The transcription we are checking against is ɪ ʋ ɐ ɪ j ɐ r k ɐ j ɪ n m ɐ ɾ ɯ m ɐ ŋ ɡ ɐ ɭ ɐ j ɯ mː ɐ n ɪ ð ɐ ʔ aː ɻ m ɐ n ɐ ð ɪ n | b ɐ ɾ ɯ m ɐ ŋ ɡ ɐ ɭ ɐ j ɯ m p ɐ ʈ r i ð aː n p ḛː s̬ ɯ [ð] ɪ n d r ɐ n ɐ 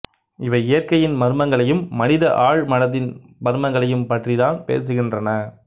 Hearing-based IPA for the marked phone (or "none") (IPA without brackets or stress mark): ɣ